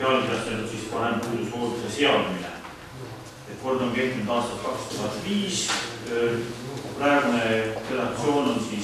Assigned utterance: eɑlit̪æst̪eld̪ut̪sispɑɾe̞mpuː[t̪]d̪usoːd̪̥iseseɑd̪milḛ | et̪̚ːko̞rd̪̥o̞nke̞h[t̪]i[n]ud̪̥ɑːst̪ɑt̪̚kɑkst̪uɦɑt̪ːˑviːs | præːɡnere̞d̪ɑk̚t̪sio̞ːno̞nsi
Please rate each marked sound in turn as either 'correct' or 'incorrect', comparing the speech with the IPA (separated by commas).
incorrect, correct, correct